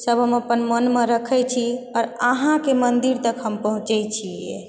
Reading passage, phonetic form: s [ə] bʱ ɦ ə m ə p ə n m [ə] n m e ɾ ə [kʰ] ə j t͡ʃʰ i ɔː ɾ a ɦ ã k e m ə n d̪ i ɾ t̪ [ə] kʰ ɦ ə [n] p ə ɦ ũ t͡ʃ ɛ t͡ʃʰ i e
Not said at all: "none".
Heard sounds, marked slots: ə, ə, kʰ, ə, m

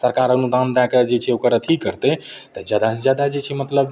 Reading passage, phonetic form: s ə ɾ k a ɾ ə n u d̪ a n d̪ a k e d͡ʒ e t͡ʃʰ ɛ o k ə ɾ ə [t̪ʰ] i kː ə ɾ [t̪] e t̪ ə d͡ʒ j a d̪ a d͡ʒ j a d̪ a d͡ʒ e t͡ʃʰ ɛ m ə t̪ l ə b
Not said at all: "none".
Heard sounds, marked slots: t̪ʰ, t̪

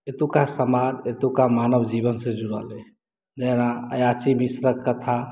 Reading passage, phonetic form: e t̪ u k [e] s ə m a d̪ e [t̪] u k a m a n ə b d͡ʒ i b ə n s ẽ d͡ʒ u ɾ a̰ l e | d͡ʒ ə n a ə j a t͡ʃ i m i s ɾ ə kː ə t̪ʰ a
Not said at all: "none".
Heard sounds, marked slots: a, t̪

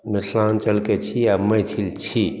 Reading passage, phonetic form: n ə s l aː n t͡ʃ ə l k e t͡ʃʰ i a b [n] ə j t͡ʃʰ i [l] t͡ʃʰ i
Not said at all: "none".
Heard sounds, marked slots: m, l

